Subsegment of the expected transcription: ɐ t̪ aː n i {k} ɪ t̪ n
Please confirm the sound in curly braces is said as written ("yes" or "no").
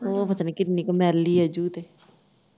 yes